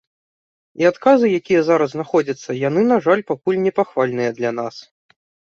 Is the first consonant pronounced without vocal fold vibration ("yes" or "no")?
yes